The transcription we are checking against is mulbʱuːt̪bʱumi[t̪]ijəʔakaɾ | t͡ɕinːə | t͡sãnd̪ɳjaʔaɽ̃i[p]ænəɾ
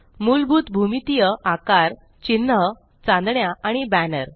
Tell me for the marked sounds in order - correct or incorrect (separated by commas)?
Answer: correct, incorrect